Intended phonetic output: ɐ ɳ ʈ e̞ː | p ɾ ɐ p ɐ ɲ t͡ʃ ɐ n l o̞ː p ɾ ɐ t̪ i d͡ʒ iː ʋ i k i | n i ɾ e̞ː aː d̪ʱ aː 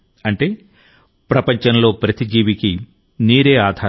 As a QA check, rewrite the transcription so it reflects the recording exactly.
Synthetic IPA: ɐ ɳ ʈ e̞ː | p ɾ ɐ p ɐ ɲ t͡ʃ ɐ n l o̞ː p ɾ ɐ t̪ i d͡ʒ iː ʋ i k i | n iː ɾ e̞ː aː d̪ʱ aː